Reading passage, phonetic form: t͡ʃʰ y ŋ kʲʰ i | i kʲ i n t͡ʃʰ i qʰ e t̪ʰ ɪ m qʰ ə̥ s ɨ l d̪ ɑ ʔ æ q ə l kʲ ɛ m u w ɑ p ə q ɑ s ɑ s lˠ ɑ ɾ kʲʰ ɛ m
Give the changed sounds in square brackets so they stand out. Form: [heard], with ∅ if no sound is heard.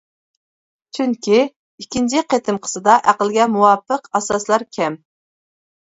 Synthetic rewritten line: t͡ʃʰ y ŋ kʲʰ i | i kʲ i n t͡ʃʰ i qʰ e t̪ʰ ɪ m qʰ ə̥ s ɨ [∅] d̪ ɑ ʔ æ q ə l [ɡʲ] ɛ m u w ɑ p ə q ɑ s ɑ s lˠ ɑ ɾ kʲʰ ɛ m